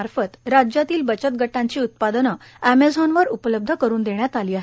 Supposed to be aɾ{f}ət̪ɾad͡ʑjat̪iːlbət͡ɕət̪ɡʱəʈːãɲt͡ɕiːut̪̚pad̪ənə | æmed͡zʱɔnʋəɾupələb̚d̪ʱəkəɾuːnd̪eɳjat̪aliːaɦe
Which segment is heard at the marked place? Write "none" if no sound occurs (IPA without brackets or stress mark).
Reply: f